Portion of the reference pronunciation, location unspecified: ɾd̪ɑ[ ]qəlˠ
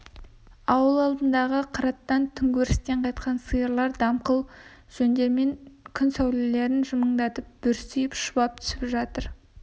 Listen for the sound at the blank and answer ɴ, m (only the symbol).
m